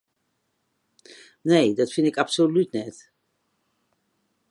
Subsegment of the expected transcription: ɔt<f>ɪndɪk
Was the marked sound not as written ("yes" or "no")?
no